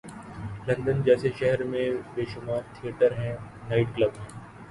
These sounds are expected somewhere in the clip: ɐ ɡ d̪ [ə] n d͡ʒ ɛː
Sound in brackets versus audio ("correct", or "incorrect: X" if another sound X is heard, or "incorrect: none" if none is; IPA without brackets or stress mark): correct